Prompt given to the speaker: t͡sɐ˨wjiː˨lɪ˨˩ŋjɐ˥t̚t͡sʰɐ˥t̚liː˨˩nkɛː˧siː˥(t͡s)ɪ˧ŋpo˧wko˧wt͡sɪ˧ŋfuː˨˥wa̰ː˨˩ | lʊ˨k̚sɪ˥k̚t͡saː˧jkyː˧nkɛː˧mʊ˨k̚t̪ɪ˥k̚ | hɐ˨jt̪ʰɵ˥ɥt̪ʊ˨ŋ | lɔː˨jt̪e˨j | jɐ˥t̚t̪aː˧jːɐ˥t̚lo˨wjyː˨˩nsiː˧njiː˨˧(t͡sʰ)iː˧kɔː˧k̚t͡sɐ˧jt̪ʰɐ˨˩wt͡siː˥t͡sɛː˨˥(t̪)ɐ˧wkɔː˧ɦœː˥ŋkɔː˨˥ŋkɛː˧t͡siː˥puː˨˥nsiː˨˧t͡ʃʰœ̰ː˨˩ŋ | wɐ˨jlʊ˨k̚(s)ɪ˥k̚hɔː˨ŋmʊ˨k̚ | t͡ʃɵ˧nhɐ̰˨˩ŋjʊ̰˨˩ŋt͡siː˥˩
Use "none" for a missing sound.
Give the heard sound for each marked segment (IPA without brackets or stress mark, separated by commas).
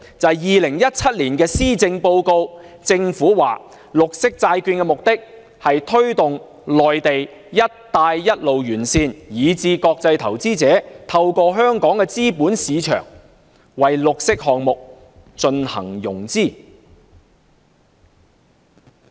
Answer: t͡s, t͡s, t̪ʰ, s